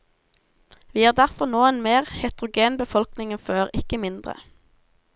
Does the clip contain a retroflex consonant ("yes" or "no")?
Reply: no